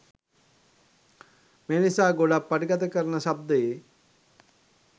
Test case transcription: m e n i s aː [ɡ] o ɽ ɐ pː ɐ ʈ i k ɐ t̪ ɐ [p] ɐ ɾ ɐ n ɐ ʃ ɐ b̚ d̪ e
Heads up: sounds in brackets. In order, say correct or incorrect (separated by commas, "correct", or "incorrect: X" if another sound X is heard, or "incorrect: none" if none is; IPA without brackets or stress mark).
correct, incorrect: k